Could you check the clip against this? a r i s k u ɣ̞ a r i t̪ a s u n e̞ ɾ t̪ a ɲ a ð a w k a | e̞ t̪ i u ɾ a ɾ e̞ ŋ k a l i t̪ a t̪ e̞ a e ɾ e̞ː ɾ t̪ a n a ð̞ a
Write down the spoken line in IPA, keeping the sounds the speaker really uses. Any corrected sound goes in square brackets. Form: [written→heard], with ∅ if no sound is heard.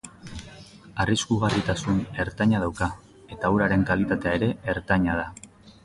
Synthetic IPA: a r i s k u ɣ̞ a r i t̪ a s u n e̞ ɾ t̪ a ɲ a ð a w k a | e̞ t̪ [i→a] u ɾ a ɾ e̞ ŋ k a l i t̪ a t̪ e̞ a e ɾ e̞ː ɾ t̪ a [n→ɲ] a ð̞ a